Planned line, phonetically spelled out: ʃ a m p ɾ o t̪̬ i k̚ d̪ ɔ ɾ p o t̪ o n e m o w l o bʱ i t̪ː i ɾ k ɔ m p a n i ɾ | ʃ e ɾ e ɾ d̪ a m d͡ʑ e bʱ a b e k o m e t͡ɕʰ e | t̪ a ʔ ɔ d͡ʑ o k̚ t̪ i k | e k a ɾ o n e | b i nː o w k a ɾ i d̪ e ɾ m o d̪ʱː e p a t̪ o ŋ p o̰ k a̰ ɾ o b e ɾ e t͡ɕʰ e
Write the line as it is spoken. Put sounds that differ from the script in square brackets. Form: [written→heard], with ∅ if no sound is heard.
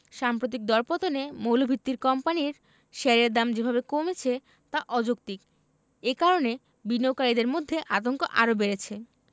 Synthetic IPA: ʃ a m p ɾ o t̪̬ i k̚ d̪ ɔ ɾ p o t̪ o n e m o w l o bʱ i t̪ː i ɾ k ɔ m p a n i ɾ | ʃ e ɾ e ɾ d̪ a m d͡ʑ e bʱ a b e k o m e t͡ɕʰ e | t̪ a ʔ ɔ d͡ʑ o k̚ t̪ i k | e k a ɾ o n e | b i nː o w k a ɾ i d̪ e ɾ m o d̪ʱː e [p→ʔ] a t̪ o ŋ [p→k] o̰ [k→ʔ] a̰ ɾ o b e ɾ e t͡ɕʰ e